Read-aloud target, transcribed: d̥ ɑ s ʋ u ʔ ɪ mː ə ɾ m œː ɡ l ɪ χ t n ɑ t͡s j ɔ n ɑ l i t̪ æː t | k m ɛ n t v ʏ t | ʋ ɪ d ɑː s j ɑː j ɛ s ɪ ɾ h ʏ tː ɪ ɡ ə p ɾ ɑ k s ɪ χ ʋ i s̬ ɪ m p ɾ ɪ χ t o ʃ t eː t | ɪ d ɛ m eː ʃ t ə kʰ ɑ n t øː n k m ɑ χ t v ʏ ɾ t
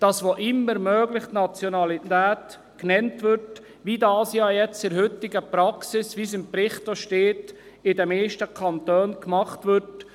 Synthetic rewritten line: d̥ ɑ s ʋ o ʔ ɪ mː ə ɾ m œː ɡ l ɪ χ t n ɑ t͡s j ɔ n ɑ l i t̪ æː t | k n ɛ n t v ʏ t | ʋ i d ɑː s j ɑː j ɛ t͡s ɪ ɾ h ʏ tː ɪ ɡ ə p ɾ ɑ k s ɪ s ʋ i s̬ ɪ m p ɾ ɪ χ t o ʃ t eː t | ɪ d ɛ m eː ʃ t ə kʰ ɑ n t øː n k m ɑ χ t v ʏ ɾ t